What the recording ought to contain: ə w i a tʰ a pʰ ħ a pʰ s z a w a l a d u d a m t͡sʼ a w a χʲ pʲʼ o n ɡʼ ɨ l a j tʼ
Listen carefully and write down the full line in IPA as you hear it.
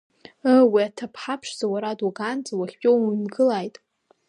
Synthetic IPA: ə w i a tʰ a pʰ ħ a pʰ ʂ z a w a ɾ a d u ɡ a n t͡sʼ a w a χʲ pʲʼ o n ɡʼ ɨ l a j tʼ